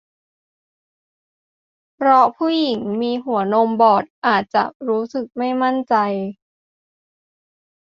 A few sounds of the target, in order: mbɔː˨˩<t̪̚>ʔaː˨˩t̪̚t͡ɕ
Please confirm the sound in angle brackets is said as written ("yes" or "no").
yes